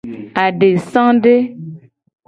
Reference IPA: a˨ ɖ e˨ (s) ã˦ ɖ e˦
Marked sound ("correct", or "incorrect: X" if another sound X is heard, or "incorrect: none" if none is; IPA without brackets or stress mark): correct